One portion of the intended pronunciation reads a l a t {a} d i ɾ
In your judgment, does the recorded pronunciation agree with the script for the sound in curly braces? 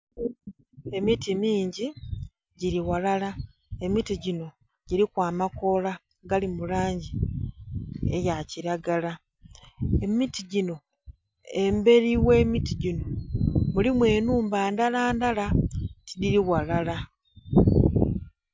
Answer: no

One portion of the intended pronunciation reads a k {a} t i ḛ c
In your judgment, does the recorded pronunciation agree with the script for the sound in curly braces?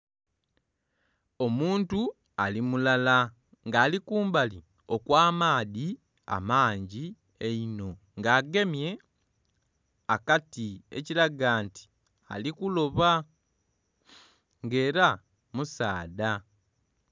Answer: yes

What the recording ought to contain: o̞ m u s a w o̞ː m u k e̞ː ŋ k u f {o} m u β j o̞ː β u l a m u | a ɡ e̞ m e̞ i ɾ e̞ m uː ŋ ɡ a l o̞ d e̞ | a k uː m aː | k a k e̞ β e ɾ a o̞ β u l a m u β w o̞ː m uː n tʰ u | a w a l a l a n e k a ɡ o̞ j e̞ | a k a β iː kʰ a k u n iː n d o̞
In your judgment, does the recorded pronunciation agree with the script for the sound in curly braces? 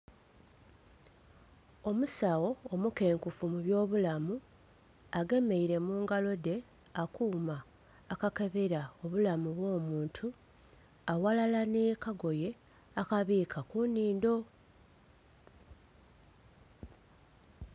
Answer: no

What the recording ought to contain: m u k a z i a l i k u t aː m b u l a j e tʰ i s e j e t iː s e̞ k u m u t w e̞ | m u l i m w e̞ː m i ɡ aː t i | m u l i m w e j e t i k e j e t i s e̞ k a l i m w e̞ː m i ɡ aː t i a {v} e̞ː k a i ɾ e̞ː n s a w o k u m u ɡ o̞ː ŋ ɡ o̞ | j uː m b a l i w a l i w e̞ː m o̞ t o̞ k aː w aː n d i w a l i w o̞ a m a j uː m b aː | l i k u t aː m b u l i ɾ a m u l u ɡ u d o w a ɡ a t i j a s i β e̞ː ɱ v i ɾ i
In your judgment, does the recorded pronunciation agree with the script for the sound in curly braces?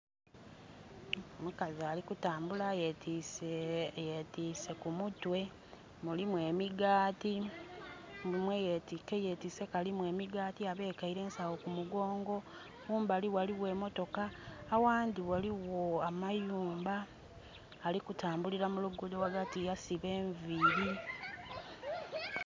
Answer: no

